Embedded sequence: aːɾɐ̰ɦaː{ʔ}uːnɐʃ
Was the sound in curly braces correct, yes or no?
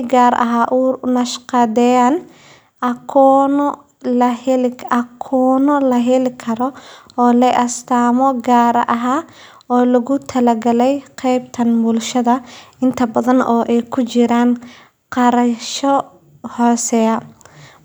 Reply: yes